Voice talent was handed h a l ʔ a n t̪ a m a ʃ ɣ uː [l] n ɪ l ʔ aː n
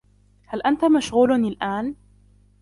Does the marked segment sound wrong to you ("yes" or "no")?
no